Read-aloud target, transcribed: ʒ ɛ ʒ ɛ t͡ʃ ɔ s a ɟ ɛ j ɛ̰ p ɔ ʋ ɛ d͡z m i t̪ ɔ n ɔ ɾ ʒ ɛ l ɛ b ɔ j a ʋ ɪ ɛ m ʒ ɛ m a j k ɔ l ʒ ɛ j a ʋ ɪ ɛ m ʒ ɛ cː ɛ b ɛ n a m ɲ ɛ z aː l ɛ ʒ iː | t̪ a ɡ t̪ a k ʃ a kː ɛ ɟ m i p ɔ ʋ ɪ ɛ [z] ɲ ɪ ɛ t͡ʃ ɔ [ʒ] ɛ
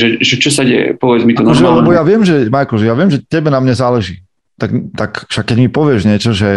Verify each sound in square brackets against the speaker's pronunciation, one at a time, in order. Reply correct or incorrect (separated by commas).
incorrect, correct